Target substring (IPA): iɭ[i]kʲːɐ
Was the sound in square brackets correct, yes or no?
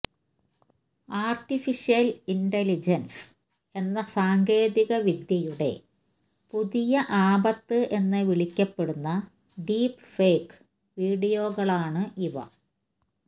yes